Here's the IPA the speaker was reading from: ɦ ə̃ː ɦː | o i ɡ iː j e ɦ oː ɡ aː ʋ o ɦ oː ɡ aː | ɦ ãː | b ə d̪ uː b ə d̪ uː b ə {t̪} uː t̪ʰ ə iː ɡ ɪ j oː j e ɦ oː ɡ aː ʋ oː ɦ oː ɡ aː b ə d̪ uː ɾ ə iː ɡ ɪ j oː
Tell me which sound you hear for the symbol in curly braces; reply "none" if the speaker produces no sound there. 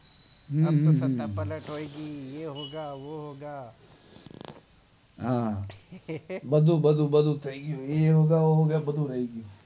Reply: d̪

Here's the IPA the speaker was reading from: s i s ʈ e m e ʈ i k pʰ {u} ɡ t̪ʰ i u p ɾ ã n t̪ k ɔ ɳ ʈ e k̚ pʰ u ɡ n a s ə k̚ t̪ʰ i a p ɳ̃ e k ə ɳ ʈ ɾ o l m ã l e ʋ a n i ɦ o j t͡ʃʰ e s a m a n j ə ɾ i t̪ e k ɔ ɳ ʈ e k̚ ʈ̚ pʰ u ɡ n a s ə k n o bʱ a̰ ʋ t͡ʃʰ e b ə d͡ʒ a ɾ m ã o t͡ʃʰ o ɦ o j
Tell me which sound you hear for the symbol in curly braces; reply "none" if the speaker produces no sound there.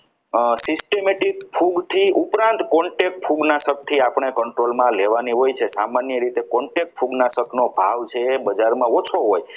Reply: u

